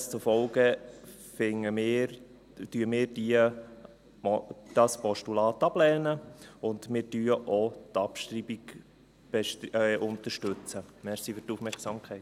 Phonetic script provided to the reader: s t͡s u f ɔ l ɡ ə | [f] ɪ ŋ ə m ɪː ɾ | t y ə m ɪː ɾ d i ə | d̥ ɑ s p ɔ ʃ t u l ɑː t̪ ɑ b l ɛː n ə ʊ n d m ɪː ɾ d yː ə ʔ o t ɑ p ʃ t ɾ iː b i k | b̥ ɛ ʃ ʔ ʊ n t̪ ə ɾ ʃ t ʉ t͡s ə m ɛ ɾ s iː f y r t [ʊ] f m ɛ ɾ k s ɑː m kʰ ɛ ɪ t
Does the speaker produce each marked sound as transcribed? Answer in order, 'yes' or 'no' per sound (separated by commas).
yes, no